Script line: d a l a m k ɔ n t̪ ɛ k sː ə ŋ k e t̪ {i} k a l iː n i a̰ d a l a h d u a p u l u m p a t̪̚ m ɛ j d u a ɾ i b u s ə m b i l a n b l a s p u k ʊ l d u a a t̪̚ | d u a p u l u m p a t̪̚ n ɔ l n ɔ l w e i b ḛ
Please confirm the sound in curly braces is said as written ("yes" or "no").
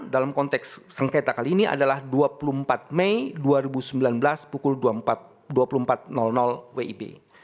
no